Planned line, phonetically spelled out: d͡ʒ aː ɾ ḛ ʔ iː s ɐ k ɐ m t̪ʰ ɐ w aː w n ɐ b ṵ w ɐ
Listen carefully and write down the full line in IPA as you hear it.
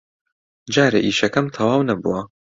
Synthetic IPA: d͡ʒ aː ɾ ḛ ʔ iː ʃ ɐ k ɐ m t̪ʰ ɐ w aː w n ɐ b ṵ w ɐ

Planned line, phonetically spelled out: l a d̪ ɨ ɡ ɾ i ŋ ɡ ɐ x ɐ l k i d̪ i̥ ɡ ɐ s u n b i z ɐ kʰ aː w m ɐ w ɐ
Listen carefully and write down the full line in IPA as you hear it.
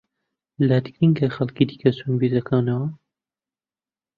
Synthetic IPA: l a d̪ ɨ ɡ ɾ i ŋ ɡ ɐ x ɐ l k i d̪ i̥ k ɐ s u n b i z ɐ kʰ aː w n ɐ w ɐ

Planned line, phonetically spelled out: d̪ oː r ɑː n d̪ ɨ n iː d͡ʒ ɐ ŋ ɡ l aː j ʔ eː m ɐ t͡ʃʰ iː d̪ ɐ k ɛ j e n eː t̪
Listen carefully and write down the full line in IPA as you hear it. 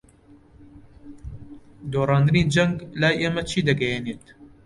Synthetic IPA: d̪ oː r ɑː n d̪ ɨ n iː d͡ʒ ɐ ŋ ɡ l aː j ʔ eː m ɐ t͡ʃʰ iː d̪ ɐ ɡ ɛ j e n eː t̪

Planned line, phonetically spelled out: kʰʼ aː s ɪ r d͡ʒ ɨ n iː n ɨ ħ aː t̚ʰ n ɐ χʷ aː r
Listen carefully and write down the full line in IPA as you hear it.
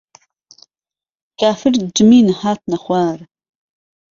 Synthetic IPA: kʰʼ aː f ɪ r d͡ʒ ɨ m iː n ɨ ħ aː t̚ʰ n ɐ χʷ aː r

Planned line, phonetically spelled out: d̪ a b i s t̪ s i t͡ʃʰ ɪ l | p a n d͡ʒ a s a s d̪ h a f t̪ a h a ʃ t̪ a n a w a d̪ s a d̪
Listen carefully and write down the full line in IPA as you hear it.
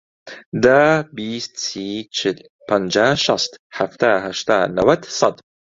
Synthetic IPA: d̪ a b i s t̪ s i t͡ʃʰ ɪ l | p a n d͡ʒ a ʃ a s t̪ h a f t̪ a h a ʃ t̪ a n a w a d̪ s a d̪

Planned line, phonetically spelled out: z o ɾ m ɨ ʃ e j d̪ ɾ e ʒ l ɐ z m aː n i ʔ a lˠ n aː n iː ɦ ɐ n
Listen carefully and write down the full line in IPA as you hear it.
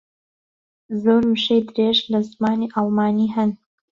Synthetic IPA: z o ɾ m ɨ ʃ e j d̪ ɾ e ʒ l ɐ z m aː n i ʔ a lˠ m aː n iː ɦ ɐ n

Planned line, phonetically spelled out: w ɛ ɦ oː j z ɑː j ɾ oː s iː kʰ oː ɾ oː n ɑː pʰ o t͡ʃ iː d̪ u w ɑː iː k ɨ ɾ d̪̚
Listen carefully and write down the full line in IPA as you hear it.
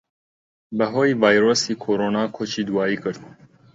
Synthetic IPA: b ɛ ɦ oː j v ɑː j ɾ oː s iː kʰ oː ɾ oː n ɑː kʰ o t͡ʃ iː d̪ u w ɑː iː k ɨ ɾ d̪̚

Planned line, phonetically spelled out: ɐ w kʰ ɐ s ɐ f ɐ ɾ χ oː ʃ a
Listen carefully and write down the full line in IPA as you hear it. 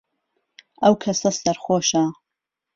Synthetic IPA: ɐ w kʰ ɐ s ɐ s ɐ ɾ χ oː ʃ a

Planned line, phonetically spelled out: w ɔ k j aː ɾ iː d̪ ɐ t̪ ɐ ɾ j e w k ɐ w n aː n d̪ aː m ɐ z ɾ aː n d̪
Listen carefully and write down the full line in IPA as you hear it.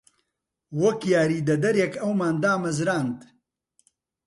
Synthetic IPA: w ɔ k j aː ɾ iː d̪ ɐ d̪ ɐ ɾ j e k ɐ w m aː n d̪ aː m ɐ z ɾ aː n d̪

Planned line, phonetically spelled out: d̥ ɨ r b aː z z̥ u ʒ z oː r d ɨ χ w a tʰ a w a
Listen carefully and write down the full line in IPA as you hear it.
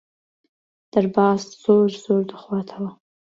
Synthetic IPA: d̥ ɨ r b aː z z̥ o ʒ z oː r d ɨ χ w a tʰ a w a

